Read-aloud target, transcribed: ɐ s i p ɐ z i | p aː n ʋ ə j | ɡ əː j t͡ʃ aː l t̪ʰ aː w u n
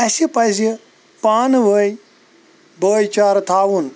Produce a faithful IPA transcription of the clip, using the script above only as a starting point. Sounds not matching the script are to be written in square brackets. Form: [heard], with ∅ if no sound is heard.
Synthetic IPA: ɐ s i p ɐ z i | p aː n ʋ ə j | [b] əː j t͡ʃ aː [ɾ] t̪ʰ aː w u n